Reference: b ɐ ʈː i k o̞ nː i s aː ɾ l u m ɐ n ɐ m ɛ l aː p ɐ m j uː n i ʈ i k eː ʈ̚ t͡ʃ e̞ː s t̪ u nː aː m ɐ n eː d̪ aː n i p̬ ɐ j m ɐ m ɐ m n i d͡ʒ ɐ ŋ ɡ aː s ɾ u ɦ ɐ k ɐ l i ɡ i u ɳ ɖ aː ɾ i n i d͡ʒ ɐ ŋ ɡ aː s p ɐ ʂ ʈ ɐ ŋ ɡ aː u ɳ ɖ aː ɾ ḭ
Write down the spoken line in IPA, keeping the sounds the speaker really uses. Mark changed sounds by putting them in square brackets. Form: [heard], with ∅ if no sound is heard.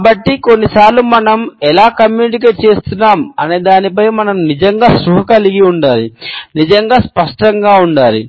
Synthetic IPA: b ɐ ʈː i k o̞ nː i s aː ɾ l u m ɐ n ɐ m ɛ l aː [k] ɐ m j uː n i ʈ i k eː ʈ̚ t͡ʃ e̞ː s t̪ u nː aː m ɐ n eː d̪ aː n i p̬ ɐ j m ɐ [n] ɐ m n i d͡ʒ ɐ ŋ ɡ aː s ɾ u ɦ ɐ k ɐ l i ɡ i u ɳ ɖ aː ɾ i n i d͡ʒ ɐ ŋ ɡ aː s p ɐ ʂ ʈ ɐ ŋ ɡ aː u ɳ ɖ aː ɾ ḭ